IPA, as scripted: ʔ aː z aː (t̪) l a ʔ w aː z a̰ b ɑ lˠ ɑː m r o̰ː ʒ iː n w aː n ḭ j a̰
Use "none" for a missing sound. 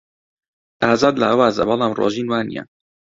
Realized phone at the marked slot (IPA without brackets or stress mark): d̪